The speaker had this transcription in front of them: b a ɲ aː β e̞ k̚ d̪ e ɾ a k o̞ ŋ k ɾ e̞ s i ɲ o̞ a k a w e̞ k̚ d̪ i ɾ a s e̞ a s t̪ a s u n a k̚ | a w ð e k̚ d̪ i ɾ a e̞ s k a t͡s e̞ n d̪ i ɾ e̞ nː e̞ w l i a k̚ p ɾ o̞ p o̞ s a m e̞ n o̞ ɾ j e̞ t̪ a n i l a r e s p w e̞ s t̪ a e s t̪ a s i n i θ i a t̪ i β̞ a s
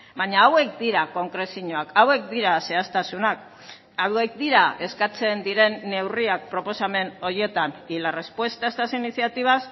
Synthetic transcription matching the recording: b a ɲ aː w e̞ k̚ d̪ i ɾ a k o̞ ŋ k ɾ e̞ s i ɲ o̞ a k a w e̞ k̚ d̪ i ɾ a s e̞ a s t̪ a s u n a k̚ | a w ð e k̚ d̪ i ɾ a e̞ s k a t͡s e̞ n d̪ i ɾ e̞ nː e̞ w r i a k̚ p ɾ o̞ p o̞ s a m e̞ n o̞ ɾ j e̞ t̪ a n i l a r e s p w e̞ s t̪ a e s t̪ a s i n i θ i a t̪ i β̞ a s